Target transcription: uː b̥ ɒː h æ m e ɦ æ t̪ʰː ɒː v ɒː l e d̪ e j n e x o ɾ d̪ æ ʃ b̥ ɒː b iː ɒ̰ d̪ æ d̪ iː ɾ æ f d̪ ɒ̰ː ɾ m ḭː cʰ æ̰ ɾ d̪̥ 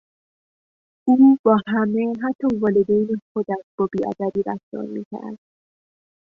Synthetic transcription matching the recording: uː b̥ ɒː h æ m e ɦ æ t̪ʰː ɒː v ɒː l e d̪ e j n e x o d̪ æ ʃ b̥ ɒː b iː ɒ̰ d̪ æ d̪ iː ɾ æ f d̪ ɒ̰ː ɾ m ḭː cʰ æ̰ ɾ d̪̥